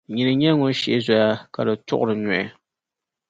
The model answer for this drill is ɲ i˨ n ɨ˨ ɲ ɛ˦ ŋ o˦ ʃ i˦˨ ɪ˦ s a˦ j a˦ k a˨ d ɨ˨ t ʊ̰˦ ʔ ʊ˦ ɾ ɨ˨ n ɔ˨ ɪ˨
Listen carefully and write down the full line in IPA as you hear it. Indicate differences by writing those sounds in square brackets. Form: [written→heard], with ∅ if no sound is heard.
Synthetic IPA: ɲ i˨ n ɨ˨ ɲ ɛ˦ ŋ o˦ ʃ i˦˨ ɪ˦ [s→z] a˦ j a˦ k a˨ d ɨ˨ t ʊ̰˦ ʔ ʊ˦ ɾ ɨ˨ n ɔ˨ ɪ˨

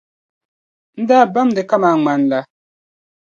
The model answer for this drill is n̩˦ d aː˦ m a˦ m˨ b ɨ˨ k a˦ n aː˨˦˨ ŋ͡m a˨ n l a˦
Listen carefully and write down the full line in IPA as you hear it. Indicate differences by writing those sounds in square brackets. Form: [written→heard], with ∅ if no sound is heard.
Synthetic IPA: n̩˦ d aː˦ [m→b] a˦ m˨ [b→d] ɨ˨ k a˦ [n→m] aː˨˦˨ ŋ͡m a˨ n l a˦

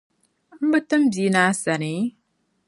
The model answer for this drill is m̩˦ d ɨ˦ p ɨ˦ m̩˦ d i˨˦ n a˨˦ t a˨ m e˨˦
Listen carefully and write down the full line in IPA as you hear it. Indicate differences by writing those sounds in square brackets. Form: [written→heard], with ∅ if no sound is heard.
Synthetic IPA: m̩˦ [d→b] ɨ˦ [p→t] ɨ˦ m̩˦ [d→b] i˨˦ n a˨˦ [t→s] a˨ [m→n] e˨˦

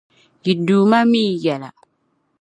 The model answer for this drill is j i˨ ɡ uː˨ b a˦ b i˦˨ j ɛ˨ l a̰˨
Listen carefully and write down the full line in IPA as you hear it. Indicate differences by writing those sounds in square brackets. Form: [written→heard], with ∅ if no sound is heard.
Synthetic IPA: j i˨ [ɡ→d] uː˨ [b→m] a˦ [b→m] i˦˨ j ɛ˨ l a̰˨

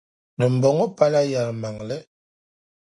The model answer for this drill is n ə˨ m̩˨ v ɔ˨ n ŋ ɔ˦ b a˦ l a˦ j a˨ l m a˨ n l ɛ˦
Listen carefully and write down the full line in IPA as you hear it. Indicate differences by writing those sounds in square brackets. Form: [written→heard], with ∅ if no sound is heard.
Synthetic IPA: n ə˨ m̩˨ [v→b] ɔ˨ [n→∅] ŋ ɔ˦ [b→p] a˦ l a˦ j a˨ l m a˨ [n→ŋ] l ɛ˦

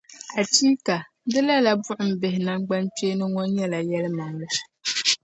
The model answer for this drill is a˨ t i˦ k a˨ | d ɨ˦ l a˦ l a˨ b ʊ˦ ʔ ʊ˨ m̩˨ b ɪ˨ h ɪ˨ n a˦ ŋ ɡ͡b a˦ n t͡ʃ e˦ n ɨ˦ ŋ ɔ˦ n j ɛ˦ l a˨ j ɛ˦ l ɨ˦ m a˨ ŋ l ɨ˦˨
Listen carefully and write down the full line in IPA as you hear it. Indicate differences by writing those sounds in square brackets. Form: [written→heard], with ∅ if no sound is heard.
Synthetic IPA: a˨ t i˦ k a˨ | d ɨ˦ l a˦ l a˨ b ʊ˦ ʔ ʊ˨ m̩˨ b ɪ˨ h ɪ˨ n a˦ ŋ ɡ͡b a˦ n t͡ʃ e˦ n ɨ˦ ŋ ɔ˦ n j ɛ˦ l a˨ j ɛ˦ l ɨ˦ m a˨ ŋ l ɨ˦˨

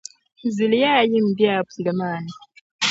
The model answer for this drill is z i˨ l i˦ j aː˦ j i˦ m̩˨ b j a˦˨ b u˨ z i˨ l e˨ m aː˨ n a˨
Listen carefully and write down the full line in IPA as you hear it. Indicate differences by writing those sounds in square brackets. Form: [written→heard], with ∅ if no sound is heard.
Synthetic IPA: z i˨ l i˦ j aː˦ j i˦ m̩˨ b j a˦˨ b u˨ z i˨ l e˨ m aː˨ n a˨

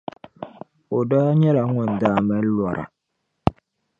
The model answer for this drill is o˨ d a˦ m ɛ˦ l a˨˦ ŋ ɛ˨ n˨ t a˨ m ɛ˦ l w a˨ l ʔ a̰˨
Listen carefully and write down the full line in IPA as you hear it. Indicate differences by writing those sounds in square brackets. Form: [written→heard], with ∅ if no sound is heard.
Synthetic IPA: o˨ d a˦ [m→ɲ] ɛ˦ l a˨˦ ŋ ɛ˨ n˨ [t→d] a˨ m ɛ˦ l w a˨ [l→ɾ] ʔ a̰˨

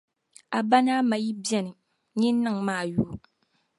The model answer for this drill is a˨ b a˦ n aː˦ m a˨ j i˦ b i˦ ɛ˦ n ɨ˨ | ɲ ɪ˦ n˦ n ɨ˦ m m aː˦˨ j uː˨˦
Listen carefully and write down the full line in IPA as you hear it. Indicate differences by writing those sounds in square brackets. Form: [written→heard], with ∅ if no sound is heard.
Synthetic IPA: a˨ b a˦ n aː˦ m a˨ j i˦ b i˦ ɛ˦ n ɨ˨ | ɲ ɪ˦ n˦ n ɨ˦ [m→ŋ] m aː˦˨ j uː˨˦

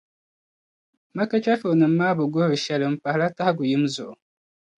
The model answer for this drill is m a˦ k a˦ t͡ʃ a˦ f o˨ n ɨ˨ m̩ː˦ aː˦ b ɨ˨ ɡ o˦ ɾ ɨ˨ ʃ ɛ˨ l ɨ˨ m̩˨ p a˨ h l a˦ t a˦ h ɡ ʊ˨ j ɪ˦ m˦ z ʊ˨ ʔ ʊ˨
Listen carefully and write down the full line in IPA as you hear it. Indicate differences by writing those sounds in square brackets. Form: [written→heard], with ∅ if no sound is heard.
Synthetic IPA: m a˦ k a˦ t͡ʃ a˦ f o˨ n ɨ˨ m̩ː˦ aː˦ b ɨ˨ ɡ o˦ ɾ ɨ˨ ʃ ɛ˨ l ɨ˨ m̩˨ p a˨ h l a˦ t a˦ h ɡ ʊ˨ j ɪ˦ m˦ z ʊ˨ ʔ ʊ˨

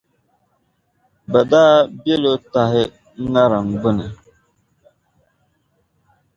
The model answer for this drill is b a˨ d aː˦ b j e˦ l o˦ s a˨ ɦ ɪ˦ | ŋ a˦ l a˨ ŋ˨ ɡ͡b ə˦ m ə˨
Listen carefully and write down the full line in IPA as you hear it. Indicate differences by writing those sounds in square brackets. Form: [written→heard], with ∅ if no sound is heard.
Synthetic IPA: b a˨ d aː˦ b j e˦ l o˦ [s→t] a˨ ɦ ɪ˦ | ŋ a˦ [l→ɾ] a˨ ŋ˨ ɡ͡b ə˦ [m→n] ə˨

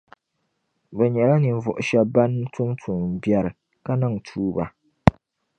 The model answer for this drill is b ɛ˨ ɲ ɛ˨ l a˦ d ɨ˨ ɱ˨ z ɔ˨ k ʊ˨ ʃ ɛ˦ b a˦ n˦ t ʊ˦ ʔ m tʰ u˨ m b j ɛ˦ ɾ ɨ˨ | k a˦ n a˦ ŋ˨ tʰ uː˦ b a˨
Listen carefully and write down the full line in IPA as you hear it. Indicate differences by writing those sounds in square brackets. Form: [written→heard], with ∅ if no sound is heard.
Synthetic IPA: b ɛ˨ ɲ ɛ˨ l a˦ [d→n] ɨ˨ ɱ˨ [z→v] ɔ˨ [k→ʔ] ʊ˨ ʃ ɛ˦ b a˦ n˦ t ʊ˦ [ʔ→∅] m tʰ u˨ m b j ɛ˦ ɾ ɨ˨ | k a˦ n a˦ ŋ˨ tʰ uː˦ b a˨

